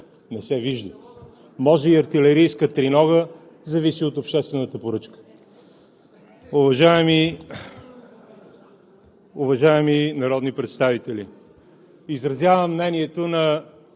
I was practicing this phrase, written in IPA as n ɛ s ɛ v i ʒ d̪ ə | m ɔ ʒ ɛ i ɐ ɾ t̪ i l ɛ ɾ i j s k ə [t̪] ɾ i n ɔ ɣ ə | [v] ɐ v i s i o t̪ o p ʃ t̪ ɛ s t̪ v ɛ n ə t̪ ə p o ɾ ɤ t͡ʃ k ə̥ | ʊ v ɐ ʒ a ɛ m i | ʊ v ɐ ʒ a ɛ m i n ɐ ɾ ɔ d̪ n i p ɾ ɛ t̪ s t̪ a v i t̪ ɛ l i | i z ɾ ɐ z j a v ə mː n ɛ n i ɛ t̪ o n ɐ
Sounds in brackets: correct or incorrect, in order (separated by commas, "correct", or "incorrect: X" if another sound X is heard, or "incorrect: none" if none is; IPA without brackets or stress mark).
correct, incorrect: z